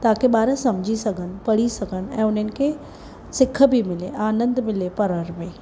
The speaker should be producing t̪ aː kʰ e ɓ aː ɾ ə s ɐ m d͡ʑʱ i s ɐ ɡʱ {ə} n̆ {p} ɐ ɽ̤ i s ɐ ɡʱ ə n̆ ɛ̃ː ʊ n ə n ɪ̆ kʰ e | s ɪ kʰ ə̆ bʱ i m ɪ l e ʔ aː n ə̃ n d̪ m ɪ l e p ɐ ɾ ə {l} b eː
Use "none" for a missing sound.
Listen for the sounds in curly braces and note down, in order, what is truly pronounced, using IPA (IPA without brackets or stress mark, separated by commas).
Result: ə, p, ɾ